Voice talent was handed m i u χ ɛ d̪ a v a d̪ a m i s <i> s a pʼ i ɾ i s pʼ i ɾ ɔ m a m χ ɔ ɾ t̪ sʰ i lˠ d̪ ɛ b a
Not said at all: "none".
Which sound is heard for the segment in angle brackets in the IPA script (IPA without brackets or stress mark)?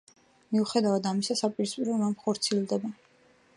a